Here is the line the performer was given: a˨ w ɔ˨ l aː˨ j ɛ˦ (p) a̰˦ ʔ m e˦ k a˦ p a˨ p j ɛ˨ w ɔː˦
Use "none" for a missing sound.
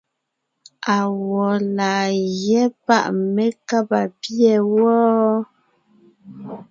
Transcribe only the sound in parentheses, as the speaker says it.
p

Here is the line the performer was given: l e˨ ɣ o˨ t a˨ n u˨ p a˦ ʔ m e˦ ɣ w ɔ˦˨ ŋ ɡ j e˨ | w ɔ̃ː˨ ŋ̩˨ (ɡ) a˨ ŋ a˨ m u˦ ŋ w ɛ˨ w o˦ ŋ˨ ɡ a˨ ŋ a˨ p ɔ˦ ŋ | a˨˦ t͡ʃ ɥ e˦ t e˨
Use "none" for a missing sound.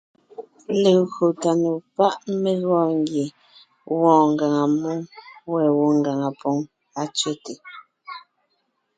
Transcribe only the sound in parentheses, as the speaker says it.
ɡ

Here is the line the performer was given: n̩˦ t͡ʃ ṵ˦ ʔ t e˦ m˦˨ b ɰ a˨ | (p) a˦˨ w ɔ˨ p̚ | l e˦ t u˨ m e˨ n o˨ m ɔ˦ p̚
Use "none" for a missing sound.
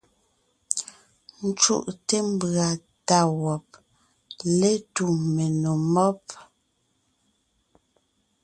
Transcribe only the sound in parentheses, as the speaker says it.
t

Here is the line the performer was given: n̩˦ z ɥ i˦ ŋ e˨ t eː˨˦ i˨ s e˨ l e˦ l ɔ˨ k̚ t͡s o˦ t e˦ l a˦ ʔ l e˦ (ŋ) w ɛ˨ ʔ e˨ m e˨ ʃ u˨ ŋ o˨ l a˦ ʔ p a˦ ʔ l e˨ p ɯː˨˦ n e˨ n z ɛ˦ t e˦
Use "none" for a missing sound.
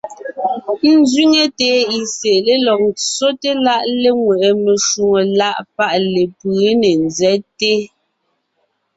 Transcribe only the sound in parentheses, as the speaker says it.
ŋ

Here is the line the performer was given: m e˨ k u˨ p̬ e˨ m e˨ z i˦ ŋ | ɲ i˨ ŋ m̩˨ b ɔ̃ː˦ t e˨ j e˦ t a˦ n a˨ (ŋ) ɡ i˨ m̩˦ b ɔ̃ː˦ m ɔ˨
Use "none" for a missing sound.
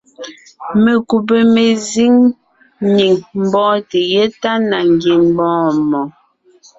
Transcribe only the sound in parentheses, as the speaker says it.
ŋ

